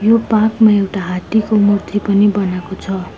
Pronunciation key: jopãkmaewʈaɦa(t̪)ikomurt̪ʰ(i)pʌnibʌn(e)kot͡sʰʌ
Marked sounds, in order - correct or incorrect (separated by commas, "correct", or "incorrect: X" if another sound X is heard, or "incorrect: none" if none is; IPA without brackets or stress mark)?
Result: correct, correct, incorrect: a